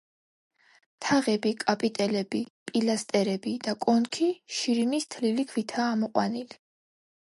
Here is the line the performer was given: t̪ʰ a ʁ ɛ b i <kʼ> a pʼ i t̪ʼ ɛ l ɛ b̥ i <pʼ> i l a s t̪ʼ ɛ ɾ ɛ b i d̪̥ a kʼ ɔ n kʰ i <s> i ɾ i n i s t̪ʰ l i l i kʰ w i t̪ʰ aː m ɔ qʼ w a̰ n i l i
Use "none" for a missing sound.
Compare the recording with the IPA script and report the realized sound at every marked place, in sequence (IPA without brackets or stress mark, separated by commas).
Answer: kʼ, pʼ, ʃ